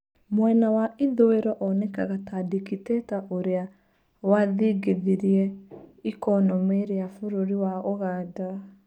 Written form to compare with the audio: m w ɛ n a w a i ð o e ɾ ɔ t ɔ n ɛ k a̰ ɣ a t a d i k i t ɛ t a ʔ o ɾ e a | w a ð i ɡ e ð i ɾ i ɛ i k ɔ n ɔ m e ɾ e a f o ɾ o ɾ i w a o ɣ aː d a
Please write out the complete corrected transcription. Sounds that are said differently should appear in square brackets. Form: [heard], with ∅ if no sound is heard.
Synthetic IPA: m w ɛ n a w a i ð o e ɾ ɔ [ʔ] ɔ n ɛ k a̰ ɣ a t a d i k i t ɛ t a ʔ o ɾ e a | w a ð i ɡ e ð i ɾ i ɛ i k ɔ n ɔ m e ɾ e a f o ɾ o ɾ i w a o ɣ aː d a